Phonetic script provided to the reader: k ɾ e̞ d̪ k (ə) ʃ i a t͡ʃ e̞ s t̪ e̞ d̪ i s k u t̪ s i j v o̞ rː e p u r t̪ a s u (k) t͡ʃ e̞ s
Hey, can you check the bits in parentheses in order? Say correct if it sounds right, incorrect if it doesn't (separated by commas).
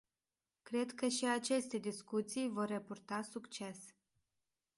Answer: correct, correct